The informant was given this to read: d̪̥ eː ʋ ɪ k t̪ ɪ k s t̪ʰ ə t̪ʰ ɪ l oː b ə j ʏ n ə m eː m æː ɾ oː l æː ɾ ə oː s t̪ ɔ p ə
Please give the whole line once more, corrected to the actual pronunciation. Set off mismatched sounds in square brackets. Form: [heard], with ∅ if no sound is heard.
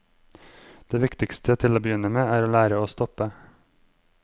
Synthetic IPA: d̪̥ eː ʋ ɪ k t̪ ɪ k s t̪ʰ ə t̪ʰ ɪ l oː b ə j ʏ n ə m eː [∅] æː ɾ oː l æː ɾ ə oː s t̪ ɔ p ə